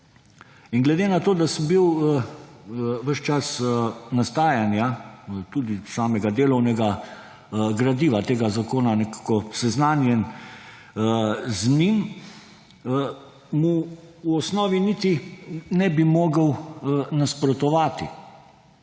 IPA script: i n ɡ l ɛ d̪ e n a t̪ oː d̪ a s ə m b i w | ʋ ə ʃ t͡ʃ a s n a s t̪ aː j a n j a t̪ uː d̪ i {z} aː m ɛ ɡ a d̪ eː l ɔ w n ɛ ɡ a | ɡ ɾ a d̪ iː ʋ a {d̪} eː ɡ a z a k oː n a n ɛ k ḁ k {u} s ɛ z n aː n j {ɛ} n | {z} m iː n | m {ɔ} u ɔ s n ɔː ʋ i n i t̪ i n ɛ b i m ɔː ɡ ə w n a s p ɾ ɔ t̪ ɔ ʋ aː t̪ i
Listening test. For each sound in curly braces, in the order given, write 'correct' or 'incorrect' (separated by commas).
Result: incorrect, incorrect, incorrect, correct, correct, incorrect